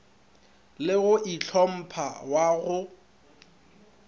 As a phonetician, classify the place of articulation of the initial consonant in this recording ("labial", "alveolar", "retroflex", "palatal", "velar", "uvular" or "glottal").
alveolar